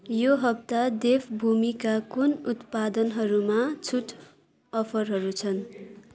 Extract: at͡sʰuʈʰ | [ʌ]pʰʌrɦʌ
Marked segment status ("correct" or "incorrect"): correct